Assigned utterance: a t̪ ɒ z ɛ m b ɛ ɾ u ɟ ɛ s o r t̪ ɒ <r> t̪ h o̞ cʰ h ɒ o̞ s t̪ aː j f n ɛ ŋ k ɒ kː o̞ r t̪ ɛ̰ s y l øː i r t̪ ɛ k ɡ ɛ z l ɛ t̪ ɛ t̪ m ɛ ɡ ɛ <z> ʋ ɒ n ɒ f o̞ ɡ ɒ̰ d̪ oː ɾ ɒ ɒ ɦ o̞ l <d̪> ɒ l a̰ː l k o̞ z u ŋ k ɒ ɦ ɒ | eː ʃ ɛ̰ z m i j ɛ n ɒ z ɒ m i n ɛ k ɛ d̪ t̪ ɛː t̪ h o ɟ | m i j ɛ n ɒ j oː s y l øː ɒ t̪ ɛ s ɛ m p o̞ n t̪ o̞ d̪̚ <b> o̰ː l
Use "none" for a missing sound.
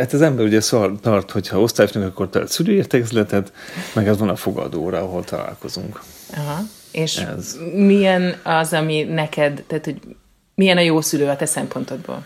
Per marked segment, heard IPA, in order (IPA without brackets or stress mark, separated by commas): r, z, t̪, b